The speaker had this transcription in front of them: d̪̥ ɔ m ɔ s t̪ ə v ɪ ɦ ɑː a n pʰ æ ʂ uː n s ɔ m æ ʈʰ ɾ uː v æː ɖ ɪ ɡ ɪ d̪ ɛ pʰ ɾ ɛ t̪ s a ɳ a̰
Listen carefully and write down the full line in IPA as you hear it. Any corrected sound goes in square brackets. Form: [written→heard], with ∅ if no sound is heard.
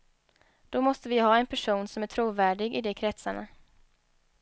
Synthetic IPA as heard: d̪̥ ɔ m ɔ s t̪ ə v ɪ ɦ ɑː [a→ɛ] n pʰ æ ʂ uː n s ɔ m æ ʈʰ ɾ uː v æː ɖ ɪ ɡ ɪ d̪ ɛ [pʰ→kʰ] ɾ ɛ t̪ s a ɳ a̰